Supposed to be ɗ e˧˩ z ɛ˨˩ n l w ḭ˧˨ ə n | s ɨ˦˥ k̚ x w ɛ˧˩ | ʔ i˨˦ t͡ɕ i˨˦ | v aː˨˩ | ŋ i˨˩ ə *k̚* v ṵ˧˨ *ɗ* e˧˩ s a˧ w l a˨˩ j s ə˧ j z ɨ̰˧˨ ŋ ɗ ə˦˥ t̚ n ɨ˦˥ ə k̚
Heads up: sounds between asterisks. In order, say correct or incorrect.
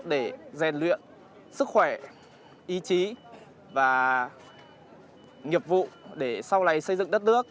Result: incorrect, correct

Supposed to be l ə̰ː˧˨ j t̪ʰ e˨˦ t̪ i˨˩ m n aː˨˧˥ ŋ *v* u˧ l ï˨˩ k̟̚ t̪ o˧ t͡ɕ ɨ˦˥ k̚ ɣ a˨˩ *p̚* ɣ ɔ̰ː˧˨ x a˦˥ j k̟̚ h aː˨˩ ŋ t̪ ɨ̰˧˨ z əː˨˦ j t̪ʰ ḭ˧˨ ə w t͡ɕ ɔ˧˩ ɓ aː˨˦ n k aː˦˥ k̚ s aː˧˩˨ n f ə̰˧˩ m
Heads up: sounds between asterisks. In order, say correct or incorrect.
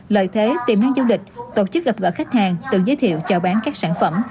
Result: incorrect, correct

